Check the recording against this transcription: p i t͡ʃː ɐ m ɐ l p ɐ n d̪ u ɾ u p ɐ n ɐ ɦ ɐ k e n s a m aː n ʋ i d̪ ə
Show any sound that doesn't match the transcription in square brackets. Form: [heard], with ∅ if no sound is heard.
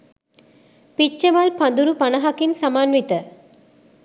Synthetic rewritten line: p i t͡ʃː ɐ m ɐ l p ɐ n d̪ u ɾ u p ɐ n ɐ ɦ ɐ k [i] n s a m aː n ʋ i [t̪] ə